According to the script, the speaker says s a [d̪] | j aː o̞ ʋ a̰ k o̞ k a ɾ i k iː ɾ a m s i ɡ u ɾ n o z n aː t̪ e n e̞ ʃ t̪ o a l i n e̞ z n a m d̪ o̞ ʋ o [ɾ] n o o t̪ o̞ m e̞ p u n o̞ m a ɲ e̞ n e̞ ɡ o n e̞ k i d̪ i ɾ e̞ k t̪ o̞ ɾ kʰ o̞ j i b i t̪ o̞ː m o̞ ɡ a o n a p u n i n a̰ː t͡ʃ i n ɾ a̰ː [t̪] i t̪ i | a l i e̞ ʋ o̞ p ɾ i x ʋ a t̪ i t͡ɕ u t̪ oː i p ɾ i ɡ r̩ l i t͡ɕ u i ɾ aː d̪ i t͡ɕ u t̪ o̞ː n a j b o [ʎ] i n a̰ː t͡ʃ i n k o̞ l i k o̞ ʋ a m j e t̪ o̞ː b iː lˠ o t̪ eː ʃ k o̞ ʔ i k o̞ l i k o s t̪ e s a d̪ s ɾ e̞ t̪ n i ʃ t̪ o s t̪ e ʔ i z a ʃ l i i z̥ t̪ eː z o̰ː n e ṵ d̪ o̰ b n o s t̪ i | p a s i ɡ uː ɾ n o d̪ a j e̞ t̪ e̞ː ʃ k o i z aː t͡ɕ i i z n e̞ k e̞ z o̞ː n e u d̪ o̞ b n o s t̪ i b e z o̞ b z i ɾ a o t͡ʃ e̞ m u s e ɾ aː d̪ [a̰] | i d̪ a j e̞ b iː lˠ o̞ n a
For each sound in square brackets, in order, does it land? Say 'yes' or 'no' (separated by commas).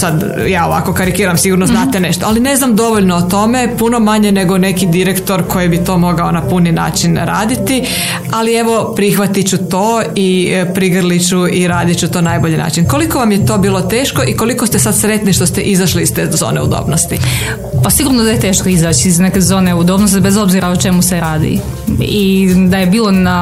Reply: yes, no, no, yes, no